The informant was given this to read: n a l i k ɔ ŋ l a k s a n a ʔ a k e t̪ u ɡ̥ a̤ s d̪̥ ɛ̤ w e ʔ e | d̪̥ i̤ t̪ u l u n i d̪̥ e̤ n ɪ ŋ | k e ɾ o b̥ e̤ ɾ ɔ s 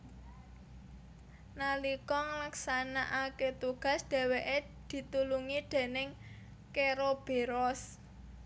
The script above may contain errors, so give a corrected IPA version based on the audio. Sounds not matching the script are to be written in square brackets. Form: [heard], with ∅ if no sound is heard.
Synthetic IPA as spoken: n a l i k ɔ ŋ l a k s a n a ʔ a k e t̪ u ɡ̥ a̤ s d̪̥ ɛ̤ w e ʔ e | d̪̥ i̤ t̪ u l u [ŋ] i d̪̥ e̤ n ɪ ŋ | k e ɾ o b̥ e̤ ɾ ɔ s